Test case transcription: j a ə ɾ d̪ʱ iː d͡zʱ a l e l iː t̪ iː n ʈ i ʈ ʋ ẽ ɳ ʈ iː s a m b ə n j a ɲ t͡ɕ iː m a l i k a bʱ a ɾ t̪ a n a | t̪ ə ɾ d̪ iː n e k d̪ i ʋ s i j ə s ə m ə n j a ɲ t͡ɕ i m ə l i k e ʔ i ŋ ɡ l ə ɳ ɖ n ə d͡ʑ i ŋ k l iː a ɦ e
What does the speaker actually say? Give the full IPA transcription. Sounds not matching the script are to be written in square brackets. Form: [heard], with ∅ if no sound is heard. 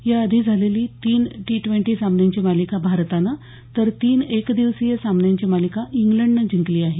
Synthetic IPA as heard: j a ə [∅] d̪ʱ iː d͡zʱ a l e l iː t̪ iː n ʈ i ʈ ʋ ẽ ɳ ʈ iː s a m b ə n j a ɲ t͡ɕ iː m a l i k a bʱ a ɾ t̪ a n a | t̪ ə ɾ [t̪] iː n e k d̪ i ʋ s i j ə s [a] m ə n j a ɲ t͡ɕ i m [a] l i k [a] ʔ i ŋ ɡ l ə ɳ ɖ n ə d͡ʑ i ŋ k l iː a ɦ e